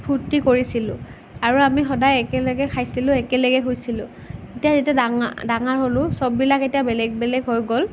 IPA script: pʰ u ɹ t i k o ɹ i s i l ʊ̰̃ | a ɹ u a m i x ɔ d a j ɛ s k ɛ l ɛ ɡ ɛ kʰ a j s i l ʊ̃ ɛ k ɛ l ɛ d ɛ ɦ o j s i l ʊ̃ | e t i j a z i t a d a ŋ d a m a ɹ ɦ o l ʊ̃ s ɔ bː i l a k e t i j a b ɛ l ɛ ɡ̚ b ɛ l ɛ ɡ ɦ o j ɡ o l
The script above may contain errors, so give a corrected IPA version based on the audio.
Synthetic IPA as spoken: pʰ u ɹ t i k o ɹ i s i l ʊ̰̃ | a ɹ u a m i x ɔ d a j ɛ k ɛ l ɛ ɡ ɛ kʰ a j s i l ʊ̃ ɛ k ɛ l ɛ ɡ ɛ ɦ o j s i l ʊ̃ | e t i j a z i t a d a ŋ d a ŋ a ɹ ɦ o l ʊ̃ s ɔ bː i l a k e t i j a b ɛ l ɛ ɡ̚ b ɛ l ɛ ɡ ɦ o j ɡ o l